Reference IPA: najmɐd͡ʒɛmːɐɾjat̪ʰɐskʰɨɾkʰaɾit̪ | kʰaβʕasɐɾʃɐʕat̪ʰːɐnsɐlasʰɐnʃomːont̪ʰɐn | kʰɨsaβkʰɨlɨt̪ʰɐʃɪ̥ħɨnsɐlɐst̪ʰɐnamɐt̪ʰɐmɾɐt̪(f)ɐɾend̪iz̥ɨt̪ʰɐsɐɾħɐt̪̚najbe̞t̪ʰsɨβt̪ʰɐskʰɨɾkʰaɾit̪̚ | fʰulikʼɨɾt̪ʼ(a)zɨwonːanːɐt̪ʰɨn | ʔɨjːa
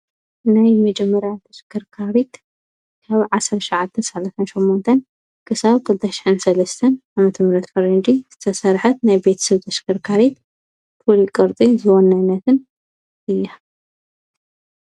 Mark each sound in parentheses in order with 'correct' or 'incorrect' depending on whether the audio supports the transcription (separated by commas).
correct, incorrect